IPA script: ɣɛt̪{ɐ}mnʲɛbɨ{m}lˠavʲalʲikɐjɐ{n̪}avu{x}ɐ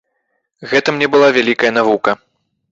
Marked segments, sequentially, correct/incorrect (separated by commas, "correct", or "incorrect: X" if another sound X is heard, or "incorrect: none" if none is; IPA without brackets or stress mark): correct, incorrect: none, correct, incorrect: k